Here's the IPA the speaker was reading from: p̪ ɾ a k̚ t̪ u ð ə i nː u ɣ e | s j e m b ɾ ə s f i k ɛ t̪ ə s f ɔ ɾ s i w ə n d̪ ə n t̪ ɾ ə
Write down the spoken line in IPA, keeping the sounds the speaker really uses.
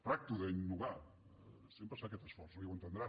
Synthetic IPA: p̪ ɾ a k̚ t̪ u ð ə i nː u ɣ a | s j e m p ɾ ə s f a k ɛ t̪ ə s f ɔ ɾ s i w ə n t̪ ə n d̪ ɾ a